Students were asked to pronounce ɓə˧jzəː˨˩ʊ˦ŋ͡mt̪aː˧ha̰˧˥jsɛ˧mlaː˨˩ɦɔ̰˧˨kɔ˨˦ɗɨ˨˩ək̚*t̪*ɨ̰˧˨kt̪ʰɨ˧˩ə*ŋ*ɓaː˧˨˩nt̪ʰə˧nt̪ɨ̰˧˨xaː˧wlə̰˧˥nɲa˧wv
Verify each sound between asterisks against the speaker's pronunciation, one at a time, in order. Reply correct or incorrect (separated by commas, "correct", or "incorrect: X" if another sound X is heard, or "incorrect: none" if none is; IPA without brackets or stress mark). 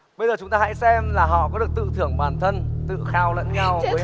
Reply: correct, correct